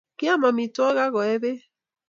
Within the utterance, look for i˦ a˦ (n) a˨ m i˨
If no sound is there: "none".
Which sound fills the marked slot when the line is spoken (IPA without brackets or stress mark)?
m